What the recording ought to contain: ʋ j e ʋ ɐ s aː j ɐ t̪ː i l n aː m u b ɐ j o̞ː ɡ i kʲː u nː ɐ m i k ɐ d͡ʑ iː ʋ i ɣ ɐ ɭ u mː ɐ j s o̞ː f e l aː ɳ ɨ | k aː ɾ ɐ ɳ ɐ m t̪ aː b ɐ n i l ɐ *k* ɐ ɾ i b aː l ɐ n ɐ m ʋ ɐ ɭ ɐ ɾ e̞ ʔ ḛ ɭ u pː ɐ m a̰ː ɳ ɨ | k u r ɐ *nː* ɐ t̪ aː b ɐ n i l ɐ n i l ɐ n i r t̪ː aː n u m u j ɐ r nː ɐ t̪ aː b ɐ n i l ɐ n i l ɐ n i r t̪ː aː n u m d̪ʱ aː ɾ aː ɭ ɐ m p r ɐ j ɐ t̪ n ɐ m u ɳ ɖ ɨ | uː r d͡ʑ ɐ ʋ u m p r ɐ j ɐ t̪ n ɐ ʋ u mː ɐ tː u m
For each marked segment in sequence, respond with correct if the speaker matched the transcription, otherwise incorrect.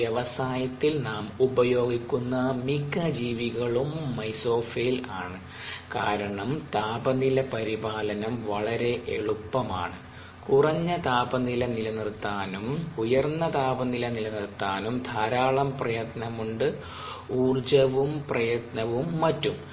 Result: incorrect, incorrect

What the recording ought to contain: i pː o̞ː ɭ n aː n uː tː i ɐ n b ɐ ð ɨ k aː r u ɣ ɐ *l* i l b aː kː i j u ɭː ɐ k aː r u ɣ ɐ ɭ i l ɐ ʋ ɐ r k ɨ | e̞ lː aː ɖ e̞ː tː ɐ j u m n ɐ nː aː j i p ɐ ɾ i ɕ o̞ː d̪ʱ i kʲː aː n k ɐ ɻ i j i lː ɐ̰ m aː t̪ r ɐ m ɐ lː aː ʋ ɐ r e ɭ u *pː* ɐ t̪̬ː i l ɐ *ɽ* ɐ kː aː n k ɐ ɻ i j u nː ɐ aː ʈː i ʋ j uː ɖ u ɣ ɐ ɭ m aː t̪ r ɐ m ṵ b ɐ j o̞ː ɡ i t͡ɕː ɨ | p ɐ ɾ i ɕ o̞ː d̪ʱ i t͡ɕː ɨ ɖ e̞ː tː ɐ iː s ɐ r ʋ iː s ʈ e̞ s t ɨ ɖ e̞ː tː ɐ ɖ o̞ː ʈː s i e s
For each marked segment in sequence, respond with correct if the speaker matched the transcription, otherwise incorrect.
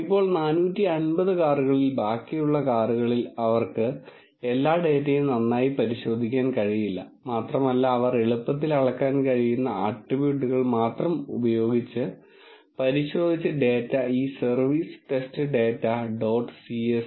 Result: incorrect, correct, incorrect

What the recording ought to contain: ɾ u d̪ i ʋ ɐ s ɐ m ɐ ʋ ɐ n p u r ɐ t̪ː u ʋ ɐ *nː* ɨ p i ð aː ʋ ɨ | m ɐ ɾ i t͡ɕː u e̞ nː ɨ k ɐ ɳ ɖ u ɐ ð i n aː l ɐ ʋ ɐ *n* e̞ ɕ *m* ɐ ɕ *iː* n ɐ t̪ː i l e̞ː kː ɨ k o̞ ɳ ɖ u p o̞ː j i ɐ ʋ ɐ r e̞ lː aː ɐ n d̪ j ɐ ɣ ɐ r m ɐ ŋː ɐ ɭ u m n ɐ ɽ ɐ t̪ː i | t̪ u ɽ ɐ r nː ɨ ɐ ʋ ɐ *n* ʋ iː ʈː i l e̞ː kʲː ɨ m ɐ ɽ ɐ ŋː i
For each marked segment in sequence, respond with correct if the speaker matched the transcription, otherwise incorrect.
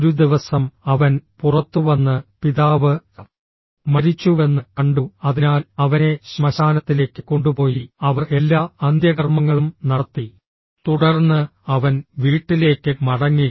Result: correct, correct, correct, incorrect, correct

